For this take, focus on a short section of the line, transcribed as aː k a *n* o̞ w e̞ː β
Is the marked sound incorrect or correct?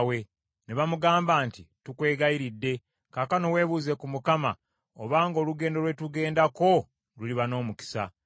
correct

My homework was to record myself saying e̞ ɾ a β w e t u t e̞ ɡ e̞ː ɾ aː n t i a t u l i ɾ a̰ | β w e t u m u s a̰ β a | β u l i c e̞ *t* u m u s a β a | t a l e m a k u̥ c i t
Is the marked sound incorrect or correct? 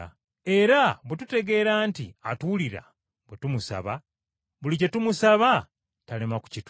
correct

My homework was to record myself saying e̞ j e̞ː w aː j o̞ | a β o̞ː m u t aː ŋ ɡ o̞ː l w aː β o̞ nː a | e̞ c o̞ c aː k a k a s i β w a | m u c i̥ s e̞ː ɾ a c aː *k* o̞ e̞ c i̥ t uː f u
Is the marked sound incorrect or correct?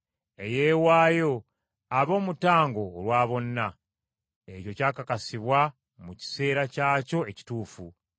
incorrect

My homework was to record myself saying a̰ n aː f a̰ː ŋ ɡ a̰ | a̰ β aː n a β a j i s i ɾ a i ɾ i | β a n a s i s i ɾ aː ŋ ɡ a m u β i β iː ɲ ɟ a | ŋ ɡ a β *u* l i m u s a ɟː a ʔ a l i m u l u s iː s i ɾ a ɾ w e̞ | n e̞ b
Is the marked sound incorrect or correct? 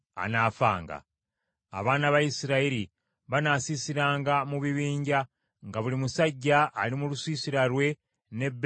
correct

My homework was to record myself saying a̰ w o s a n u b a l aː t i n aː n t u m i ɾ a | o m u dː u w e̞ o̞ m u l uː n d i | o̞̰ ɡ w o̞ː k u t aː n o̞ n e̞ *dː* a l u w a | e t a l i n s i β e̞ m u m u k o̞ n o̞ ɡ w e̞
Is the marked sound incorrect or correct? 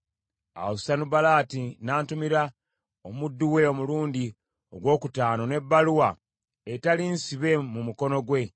incorrect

